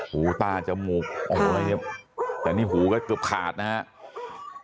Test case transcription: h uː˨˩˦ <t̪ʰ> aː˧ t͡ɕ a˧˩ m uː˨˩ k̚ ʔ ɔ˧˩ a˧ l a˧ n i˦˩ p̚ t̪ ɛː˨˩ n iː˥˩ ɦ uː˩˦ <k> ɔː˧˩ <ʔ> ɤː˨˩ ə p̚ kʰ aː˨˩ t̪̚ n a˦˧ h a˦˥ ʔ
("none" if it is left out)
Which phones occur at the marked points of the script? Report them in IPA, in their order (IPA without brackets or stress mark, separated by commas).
t̪, k, k